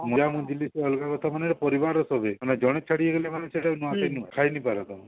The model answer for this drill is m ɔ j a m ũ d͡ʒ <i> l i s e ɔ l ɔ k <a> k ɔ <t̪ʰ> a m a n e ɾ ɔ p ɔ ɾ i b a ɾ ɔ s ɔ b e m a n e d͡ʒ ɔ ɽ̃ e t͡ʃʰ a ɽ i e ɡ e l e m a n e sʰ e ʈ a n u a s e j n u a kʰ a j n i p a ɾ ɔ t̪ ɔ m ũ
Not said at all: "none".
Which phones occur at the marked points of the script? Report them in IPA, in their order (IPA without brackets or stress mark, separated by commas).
i, a, t̪ʰ